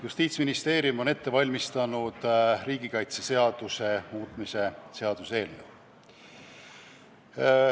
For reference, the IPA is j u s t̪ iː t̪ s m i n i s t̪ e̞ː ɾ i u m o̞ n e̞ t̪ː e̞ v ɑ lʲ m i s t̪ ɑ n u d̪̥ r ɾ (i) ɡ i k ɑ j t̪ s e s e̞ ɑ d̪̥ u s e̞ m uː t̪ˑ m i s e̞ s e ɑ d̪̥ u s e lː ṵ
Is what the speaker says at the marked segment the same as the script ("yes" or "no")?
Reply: no